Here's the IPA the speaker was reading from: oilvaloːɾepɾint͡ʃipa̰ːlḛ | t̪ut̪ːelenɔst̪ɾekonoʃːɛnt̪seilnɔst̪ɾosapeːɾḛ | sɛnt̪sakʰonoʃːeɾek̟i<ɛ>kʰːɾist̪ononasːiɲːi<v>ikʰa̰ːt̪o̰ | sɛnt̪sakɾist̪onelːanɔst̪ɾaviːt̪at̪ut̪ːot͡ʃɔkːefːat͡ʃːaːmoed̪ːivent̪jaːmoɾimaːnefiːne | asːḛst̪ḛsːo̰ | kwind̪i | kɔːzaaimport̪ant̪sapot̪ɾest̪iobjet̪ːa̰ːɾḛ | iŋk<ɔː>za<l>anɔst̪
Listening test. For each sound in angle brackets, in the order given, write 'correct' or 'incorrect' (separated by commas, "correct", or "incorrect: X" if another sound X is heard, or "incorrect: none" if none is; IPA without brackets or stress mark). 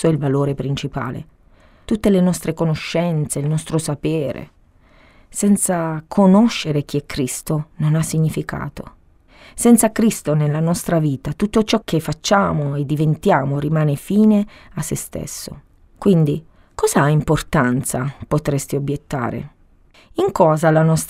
correct, incorrect: f, correct, correct